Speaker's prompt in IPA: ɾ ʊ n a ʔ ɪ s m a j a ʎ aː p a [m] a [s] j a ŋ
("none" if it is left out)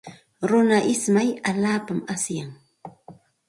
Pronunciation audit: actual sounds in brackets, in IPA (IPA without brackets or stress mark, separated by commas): m, s